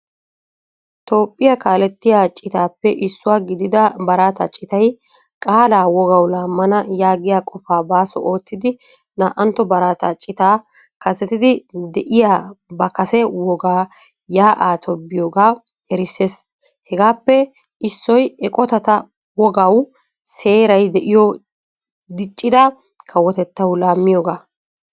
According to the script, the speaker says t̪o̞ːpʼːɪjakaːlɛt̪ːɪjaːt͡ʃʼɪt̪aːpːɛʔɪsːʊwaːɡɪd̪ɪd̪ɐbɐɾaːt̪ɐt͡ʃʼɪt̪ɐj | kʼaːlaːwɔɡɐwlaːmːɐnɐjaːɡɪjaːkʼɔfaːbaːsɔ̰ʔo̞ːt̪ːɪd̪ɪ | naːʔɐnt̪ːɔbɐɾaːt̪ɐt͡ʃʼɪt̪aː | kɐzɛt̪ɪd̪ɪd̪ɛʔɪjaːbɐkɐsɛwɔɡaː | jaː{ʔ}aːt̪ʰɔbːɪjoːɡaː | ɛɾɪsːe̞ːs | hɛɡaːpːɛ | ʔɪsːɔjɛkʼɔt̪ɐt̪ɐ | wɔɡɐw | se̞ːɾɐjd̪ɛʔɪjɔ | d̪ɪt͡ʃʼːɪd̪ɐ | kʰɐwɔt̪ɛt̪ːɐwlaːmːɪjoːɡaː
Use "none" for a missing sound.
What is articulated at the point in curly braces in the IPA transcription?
ʔ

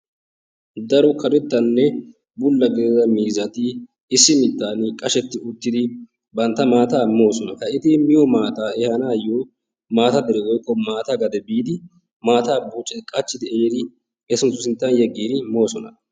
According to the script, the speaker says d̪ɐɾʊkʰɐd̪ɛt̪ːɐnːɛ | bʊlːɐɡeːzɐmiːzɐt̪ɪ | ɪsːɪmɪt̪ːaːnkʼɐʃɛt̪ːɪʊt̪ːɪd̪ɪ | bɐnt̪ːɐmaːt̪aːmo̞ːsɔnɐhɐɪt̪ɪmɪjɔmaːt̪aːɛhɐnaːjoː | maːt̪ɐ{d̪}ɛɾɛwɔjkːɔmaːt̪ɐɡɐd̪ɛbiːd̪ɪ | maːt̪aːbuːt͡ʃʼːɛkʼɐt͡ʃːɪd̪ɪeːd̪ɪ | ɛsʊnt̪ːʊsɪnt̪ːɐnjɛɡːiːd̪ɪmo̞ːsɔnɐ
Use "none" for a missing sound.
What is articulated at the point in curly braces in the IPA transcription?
d̪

